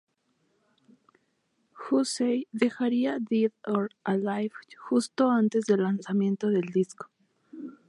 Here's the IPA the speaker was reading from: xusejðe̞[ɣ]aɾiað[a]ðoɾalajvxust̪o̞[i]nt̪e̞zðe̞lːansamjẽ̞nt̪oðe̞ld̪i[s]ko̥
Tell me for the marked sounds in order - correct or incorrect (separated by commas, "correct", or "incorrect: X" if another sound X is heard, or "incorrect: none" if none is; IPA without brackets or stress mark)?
incorrect: x, incorrect: i, incorrect: a, correct